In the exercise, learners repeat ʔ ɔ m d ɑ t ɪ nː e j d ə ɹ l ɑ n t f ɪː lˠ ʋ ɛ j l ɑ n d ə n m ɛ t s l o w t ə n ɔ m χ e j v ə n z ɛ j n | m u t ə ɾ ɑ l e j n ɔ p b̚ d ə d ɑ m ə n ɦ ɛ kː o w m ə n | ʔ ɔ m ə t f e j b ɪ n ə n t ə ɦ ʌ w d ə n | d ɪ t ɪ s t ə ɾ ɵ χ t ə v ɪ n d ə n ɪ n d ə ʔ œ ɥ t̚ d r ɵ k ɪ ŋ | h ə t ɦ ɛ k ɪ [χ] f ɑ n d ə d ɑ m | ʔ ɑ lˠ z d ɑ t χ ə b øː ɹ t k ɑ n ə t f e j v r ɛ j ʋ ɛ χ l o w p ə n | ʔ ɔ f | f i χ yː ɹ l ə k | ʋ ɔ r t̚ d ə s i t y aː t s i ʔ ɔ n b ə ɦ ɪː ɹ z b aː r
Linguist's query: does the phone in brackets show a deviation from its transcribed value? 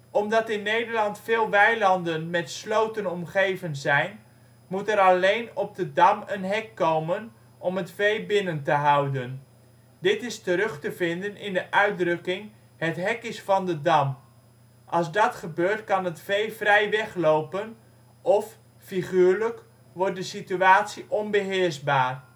yes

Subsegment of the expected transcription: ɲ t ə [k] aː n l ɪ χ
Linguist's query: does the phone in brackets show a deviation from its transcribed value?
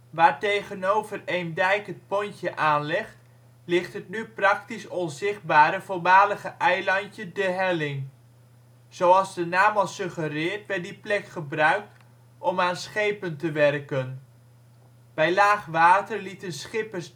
yes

